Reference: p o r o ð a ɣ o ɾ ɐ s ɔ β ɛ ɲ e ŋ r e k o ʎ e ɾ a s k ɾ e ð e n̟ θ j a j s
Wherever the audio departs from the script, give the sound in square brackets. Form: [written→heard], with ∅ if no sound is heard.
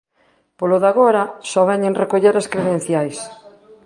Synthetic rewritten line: p o [r→l] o ð a ɣ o ɾ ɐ s ɔ β ɛ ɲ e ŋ r e k o ʎ e ɾ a s k ɾ e ð e n̟ θ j a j s